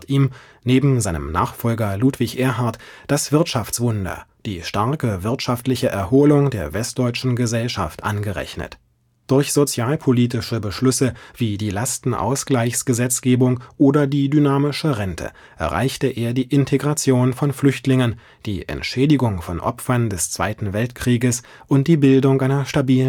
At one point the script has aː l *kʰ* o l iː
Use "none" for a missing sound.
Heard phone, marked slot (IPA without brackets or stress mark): pʰ